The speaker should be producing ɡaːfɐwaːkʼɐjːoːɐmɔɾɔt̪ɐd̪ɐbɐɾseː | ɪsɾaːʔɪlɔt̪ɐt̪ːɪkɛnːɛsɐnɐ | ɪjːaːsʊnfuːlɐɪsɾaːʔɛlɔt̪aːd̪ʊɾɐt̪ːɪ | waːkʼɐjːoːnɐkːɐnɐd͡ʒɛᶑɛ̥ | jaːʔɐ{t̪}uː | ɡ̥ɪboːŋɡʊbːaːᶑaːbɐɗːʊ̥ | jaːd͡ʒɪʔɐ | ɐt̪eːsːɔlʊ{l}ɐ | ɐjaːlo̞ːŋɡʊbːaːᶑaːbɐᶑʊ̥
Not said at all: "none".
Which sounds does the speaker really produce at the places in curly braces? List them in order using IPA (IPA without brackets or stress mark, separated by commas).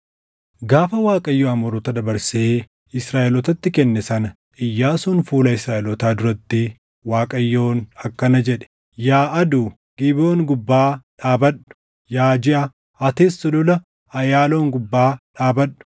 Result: d̪, l